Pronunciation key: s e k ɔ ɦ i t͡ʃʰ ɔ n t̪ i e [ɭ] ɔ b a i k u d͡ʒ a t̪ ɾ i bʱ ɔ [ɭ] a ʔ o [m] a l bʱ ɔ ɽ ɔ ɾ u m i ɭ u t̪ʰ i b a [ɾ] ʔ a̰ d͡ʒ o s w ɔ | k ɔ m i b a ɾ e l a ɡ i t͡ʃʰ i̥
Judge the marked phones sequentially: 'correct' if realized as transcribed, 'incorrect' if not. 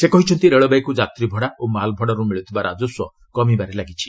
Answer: correct, incorrect, correct, correct

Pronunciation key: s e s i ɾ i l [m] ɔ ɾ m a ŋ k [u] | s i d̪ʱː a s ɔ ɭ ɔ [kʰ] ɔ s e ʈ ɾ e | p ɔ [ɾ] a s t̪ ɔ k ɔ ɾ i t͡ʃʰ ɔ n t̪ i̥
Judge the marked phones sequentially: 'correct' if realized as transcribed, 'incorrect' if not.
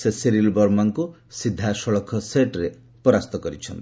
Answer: incorrect, correct, correct, correct

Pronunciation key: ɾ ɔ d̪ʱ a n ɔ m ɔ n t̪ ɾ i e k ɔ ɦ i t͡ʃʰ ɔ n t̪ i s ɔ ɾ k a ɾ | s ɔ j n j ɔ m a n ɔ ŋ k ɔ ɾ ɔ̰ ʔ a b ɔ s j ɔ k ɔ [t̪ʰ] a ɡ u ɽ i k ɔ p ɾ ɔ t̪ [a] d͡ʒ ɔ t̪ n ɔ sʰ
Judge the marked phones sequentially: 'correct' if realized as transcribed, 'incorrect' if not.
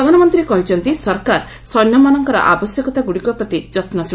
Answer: incorrect, incorrect

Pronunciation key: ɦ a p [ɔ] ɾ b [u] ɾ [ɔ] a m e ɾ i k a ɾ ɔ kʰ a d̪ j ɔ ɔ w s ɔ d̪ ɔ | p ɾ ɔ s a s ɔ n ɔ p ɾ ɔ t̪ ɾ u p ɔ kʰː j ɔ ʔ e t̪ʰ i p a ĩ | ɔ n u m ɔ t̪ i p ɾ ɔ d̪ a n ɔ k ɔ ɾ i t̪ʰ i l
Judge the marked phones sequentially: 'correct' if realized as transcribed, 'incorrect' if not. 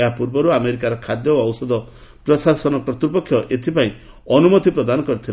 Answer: incorrect, incorrect, incorrect

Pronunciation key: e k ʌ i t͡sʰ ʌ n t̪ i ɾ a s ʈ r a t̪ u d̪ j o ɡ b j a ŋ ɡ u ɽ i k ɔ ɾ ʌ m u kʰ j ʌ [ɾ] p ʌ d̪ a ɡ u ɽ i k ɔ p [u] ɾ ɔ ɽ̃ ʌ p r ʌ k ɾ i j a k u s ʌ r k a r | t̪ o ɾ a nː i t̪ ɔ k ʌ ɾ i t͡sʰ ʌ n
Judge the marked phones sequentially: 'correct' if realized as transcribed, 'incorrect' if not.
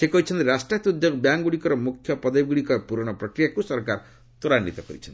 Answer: incorrect, correct

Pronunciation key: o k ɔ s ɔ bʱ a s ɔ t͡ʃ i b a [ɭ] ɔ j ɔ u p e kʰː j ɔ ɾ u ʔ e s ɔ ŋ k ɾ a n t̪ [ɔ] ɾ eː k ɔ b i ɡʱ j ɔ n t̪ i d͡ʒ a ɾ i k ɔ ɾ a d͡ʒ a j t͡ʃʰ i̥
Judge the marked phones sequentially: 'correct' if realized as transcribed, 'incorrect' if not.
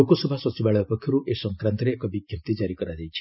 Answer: correct, correct

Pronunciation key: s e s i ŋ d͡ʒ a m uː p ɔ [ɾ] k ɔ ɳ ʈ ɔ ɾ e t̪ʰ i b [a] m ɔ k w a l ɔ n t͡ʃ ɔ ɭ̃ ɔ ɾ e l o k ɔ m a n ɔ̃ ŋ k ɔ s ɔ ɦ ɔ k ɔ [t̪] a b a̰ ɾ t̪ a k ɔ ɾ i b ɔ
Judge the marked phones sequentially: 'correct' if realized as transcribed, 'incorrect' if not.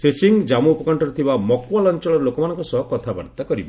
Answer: incorrect, correct, incorrect

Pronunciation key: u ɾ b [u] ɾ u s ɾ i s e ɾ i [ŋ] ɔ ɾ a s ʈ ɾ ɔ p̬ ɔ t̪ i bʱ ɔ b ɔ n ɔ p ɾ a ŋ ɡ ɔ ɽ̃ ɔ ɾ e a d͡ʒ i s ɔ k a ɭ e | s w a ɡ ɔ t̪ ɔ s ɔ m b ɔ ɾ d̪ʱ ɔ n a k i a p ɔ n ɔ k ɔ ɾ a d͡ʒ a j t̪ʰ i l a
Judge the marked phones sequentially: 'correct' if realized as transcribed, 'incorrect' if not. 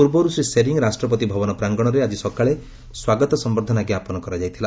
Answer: incorrect, correct

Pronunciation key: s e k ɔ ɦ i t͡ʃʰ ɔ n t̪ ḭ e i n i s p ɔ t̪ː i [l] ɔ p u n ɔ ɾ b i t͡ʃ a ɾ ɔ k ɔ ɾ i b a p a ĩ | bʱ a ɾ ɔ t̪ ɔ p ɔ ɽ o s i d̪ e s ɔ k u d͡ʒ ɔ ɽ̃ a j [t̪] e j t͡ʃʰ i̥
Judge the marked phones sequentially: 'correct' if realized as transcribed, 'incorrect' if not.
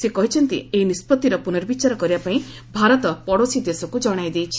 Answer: incorrect, incorrect

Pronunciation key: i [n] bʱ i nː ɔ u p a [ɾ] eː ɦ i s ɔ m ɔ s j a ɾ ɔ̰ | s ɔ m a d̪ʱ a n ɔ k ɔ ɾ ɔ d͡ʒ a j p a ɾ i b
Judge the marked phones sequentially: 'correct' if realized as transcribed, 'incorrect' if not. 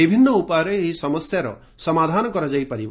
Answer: incorrect, correct

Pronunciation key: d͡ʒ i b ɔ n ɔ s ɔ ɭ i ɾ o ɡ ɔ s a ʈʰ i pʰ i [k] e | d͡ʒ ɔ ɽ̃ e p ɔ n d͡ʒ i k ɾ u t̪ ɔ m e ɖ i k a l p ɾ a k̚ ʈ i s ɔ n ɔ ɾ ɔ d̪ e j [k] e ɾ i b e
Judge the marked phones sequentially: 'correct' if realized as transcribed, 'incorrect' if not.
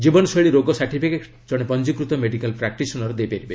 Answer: correct, incorrect

